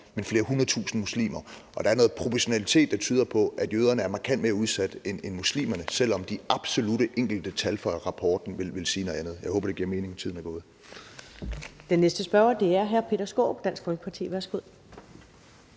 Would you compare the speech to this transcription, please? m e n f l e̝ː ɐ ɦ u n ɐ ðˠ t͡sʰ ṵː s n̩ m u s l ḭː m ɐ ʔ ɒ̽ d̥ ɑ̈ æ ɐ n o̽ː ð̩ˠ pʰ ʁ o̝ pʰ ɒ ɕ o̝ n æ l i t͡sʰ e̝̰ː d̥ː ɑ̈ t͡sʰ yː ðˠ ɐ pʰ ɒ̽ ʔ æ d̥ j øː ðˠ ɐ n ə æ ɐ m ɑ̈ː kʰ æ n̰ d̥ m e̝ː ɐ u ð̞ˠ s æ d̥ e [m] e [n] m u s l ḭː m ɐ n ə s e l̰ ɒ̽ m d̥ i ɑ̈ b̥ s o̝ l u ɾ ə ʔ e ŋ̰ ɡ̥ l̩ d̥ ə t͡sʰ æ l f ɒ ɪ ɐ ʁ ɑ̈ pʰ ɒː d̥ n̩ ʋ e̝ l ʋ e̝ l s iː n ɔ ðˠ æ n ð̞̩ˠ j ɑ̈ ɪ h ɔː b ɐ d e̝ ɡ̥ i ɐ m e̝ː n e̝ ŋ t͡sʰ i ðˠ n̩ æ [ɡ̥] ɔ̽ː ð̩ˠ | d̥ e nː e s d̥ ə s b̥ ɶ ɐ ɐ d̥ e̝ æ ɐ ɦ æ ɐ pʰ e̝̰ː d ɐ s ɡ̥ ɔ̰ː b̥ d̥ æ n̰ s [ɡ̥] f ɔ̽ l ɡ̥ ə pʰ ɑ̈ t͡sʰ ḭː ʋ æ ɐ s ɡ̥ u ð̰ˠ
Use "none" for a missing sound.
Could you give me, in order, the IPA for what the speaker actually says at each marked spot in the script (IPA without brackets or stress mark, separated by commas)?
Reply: n, n, ɡ̥, ɡ̥